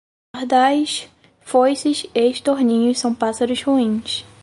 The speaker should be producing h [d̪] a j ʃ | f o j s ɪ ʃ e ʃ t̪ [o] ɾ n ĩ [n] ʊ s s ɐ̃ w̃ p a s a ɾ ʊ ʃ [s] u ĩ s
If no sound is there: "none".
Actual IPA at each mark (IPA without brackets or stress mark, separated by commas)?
d̪, o, ɲ, h